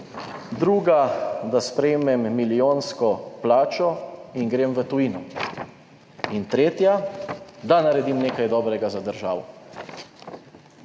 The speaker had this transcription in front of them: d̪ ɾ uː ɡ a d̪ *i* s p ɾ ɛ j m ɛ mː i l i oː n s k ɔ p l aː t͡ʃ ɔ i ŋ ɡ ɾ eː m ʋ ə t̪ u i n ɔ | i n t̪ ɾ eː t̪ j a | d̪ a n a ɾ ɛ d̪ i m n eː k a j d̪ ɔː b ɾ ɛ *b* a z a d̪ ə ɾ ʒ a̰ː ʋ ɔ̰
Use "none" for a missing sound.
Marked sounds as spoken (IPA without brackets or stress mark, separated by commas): a, ɡ